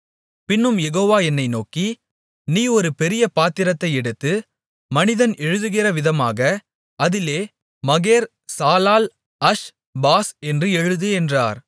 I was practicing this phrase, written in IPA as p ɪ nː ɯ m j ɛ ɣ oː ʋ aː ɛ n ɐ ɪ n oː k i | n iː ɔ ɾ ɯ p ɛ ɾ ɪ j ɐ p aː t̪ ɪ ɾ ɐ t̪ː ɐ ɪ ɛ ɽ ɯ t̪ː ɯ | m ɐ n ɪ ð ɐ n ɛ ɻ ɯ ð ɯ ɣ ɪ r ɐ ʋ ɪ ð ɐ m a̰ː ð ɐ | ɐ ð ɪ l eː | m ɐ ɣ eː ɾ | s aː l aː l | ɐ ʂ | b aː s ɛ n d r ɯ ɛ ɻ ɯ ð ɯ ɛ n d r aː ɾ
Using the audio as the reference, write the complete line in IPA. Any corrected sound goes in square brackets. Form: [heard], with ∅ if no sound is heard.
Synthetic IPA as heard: p ɪ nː ɯ m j ɛ ɣ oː ʋ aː ɛ [nː] ɐ ɪ n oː k i | n iː ɔ ɾ ɯ p ɛ ɾ ɪ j ɐ p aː t̪ ɪ ɾ ɐ t̪ː ɐ ɪ ɛ ɽ ɯ t̪ː ɯ | m ɐ n ɪ ð ɐ n ɛ ɻ ɯ ð ɯ ɣ ɪ r ɐ ʋ ɪ ð ɐ m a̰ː [ɣ] ɐ | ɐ ð ɪ l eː | m ɐ ɣ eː ɾ | s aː l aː l | ɐ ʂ | b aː s ɛ n d r ɯ ɛ ɻ ɯ ð ɯ ɛ n d r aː ɾ